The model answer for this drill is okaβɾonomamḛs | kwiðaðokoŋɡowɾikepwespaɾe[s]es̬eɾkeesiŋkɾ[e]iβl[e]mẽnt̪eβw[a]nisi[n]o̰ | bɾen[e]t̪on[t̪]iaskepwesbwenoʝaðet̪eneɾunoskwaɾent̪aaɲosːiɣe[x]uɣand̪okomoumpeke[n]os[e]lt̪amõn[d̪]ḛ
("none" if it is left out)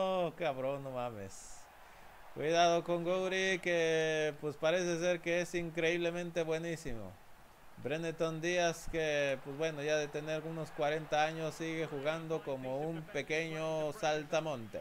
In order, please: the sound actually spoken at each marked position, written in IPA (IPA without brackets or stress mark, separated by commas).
s, e, e, e, m, e, d̪, x, ɲ, a, t̪